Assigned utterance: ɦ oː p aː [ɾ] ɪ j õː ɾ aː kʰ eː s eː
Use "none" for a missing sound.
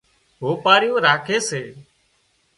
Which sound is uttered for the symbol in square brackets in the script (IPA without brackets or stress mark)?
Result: ɾ